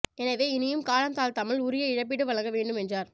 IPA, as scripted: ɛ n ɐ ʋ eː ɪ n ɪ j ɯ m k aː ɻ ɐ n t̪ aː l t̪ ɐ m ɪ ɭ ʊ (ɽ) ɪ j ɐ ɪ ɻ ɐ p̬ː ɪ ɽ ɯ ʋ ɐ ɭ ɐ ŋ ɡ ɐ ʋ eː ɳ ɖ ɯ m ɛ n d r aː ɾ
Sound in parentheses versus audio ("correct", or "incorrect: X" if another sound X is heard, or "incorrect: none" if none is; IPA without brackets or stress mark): incorrect: ɾ